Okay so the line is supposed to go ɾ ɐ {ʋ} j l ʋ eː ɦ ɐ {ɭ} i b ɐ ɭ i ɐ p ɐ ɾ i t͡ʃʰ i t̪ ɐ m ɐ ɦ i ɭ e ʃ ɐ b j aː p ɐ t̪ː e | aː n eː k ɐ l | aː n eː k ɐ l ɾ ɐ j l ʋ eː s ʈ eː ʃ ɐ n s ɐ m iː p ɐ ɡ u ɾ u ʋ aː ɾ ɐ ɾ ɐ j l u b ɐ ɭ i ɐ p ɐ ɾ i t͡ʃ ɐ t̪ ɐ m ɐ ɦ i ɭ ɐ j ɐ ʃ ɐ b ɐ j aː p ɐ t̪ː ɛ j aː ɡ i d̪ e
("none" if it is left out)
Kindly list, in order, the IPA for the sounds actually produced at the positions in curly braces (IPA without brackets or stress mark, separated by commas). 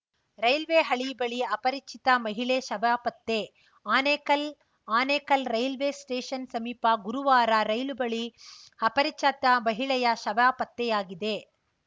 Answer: none, ɭ